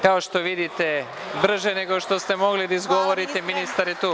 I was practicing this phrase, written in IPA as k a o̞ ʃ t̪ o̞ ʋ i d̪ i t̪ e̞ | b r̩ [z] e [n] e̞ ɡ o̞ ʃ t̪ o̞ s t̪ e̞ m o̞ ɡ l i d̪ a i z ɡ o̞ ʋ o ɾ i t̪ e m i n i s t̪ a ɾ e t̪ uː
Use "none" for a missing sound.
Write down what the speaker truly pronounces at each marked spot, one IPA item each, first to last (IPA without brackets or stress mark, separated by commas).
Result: ʒ, n